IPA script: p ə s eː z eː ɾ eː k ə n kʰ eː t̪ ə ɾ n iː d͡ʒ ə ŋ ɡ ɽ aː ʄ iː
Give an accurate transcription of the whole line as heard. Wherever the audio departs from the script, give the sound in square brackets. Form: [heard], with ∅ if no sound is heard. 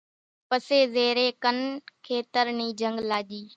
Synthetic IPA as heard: p ə s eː z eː ɾ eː k ə n kʰ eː t̪ ə ɾ n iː d͡ʒ ə ŋ ɡ [l] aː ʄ iː